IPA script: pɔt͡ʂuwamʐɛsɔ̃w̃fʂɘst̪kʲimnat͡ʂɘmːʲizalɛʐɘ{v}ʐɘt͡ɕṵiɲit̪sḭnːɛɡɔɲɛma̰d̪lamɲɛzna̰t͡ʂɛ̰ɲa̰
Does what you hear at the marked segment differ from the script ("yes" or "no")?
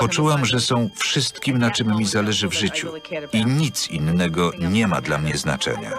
no